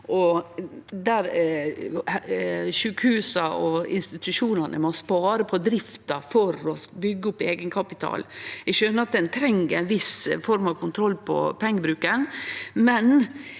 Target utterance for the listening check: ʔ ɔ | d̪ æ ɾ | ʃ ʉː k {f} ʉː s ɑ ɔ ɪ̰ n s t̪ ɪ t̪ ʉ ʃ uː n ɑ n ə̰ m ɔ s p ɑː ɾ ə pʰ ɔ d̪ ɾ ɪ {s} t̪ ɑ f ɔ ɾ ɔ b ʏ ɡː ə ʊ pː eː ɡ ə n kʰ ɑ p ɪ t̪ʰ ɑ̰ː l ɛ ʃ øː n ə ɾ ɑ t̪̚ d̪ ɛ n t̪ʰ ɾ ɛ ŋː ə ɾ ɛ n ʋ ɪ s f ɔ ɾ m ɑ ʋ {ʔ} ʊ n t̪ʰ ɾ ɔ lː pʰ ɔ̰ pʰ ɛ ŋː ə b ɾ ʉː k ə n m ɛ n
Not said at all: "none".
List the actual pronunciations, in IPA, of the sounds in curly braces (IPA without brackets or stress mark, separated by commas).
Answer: h, f, k